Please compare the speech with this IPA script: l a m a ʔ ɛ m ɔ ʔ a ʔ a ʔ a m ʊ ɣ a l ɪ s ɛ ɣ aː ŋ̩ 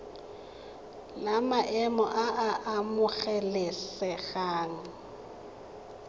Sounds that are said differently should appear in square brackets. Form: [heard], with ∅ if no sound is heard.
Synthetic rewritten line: l a m a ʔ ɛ m ɔ ʔ a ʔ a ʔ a m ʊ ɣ [ɛ] l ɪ s ɛ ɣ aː ŋ̩